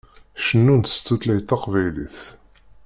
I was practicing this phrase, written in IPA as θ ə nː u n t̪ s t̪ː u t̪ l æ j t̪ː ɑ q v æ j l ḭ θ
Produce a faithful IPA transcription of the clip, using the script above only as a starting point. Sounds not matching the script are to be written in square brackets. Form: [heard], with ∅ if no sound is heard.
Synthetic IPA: [ʃ] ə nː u n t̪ s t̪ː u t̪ l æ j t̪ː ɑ q v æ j l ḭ θ

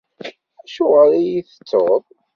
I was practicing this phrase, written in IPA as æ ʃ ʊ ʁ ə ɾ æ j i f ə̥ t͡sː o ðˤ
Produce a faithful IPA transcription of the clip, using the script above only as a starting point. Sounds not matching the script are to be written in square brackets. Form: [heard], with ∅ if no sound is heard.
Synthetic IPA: æ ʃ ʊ ʁ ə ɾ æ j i [θ] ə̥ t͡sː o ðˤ

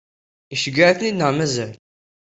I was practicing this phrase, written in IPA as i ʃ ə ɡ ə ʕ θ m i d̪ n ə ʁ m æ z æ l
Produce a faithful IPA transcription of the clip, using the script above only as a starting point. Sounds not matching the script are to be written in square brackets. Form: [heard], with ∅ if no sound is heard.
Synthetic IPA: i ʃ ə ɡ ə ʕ θ [n] i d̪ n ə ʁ m æ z æ l

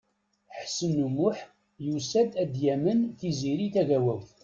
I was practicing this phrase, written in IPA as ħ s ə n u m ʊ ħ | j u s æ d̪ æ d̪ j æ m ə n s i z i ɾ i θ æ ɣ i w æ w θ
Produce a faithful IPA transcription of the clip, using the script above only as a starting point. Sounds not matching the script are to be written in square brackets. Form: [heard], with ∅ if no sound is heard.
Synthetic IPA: ħ s ə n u m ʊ ħ | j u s æ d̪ æ d̪ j æ m ə n [θ] i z i ɾ i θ æ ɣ [æ] w æ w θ

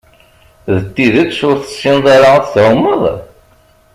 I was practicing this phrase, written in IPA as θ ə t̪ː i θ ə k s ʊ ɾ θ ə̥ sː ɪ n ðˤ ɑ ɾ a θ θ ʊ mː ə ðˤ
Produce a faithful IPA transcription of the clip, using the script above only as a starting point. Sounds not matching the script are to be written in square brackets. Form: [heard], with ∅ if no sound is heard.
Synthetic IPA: [ð] ə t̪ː i [ð] ə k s ʊ ɾ θ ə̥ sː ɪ n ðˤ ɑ ɾ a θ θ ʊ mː ə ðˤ

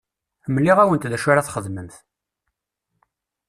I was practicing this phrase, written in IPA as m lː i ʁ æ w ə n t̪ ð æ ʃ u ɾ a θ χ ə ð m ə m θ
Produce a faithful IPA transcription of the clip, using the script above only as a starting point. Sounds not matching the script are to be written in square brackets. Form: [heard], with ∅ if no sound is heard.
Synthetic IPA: m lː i ʁ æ w ə n t̪ ð æ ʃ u ɾ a θ χ ə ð m ə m θ

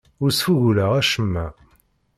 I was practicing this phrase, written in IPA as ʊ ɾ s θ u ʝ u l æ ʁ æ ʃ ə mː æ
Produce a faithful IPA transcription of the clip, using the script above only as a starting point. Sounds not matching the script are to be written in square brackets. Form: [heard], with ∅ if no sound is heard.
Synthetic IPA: ʊ ɾ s [f] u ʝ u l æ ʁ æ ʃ ə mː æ

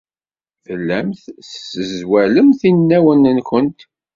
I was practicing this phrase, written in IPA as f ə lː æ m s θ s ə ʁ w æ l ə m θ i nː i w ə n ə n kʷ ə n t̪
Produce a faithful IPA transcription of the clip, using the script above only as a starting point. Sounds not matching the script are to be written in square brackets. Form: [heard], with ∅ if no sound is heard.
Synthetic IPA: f ə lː æ m [θ] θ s ə [z] w æ l ə m θ i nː [æ] w ə n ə n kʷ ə n t̪

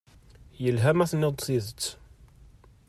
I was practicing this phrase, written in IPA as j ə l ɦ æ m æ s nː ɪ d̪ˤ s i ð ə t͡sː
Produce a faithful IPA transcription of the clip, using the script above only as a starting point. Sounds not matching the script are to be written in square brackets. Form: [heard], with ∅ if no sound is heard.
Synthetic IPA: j ə l ɦ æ m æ [θ] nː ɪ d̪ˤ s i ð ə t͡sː

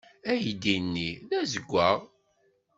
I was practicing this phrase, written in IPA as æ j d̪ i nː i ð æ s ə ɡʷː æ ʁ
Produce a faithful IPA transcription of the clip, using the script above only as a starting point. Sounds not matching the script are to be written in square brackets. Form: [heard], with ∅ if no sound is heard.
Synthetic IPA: æ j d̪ i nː i ð æ [z] ə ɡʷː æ ʁ

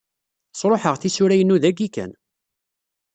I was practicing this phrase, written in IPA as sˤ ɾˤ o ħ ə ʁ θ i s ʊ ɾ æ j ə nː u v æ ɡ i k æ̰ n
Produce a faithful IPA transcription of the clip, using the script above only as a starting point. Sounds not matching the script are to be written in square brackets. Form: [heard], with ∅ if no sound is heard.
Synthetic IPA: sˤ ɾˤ o ħ ə ʁ θ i s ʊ ɾ æ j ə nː u [ð] æ ɡ i k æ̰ n

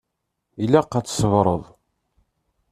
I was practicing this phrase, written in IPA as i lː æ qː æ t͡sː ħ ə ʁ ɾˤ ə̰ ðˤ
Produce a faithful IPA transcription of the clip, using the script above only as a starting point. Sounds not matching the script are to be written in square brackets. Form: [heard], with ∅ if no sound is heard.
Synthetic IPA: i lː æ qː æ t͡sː [s] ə [v] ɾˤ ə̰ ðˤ

